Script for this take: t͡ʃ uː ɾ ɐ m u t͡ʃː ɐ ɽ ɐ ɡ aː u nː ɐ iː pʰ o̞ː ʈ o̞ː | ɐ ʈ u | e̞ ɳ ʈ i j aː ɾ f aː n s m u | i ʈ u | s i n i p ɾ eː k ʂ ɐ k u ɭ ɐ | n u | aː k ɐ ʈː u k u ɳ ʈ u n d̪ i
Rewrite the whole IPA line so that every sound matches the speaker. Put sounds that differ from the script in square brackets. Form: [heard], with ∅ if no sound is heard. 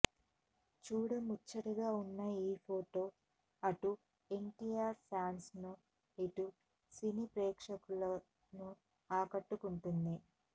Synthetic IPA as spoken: t͡ʃ uː [ɽ] ɐ m u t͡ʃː ɐ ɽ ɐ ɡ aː u nː ɐ iː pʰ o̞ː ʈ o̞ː | ɐ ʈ u | e̞ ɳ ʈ i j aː ɾ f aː n s [n] u | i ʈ u | s i n i p ɾ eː k ʂ ɐ k u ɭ ɐ | n u | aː k ɐ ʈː u k u ɳ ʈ u n d̪ i

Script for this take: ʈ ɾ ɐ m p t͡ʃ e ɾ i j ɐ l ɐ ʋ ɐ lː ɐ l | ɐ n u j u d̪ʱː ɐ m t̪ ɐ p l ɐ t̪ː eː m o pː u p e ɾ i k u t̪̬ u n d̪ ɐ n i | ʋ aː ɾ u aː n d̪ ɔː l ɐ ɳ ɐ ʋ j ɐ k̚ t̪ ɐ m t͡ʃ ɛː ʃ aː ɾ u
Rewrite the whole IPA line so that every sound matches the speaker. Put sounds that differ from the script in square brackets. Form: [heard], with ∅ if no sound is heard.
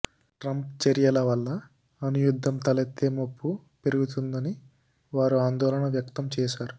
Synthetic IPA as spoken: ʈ ɾ ɐ m p t͡ʃ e ɾ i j ɐ l ɐ ʋ ɐ lː ɐ [∅] | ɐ n u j u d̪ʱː ɐ m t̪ ɐ [∅] l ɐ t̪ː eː m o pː u p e ɾ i [ɡ] u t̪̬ u n d̪ ɐ n i | ʋ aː ɾ u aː n d̪ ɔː l ɐ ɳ ɐ ʋ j ɐ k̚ t̪ ɐ m t͡ʃ ɛː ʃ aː ɾ u

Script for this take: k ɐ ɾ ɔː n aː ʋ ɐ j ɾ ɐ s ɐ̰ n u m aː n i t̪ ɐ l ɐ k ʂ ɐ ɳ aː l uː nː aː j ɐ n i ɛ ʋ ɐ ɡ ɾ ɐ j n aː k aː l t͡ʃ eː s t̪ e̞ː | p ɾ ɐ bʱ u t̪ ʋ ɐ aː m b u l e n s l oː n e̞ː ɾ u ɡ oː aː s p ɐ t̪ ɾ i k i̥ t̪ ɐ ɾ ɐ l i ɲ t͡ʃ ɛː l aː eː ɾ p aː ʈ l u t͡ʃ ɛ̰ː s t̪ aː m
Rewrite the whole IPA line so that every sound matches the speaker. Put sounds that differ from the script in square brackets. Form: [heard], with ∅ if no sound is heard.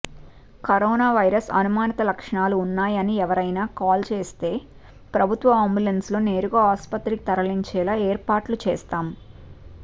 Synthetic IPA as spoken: k ɐ ɾ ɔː n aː ʋ ɐ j ɾ ɐ s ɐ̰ n u m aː n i t̪ ɐ l ɐ k ʂ ɐ ɳ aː l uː nː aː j ɐ n i ɛ ʋ ɐ [∅] ɾ ɐ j n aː k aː l t͡ʃ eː s t̪ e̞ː | p ɾ ɐ bʱ u t̪ ʋ ɐ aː m b u l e n s l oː n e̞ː ɾ u ɡ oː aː s p ɐ t̪ ɾ i k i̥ t̪ ɐ ɾ ɐ l i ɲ t͡ʃ ɛː l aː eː ɾ p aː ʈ l u t͡ʃ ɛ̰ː s t̪ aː m

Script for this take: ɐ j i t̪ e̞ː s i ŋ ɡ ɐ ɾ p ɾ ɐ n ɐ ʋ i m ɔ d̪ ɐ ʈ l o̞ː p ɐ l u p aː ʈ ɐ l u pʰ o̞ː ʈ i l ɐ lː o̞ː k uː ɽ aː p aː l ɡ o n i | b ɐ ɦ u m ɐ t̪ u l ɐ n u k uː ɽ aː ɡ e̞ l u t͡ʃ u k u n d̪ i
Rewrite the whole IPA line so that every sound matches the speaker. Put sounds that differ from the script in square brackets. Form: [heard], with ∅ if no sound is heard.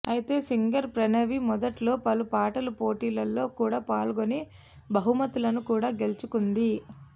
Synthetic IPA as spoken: ɐ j i t̪ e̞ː s i ŋ ɡ ɐ ɾ p ɾ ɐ n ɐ ʋ i m ɔ d̪ ɐ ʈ l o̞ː p ɐ l u p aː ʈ ɐ l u [p] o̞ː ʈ [iː] l ɐ lː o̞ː k uː ɽ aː p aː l ɡ o n i | b ɐ ɦ u m ɐ t̪ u l ɐ n u k uː ɽ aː ɡ e̞ l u t͡ʃ u k u n d̪ i

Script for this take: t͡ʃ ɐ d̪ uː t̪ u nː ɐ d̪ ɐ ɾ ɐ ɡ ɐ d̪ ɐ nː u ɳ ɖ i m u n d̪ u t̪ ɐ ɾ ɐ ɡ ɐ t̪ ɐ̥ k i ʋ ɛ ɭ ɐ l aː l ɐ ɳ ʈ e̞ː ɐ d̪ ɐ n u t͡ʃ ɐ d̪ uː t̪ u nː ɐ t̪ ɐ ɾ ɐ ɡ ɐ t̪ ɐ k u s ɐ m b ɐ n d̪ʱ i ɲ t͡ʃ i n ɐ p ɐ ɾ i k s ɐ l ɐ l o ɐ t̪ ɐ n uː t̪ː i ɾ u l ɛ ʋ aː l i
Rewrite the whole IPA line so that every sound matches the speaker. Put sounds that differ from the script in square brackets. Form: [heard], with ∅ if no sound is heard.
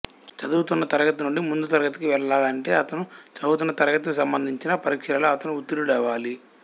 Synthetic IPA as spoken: t͡ʃ ɐ d̪ uː t̪ u nː ɐ [t̪] ɐ ɾ ɐ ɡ ɐ [t̪] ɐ [n] u ɳ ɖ i m u n d̪ u t̪ ɐ ɾ ɐ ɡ ɐ t̪ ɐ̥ k i ʋ ɛ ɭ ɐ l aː l ɐ ɳ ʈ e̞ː ɐ [t̪] ɐ n u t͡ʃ ɐ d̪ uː t̪ u nː ɐ t̪ ɐ ɾ ɐ ɡ ɐ t̪ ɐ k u s ɐ m b ɐ n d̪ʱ i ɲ t͡ʃ i n ɐ p ɐ ɾ i k [ʂ] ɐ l ɐ l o ɐ t̪ ɐ n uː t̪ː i ɾ u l ɛ ʋ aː l i

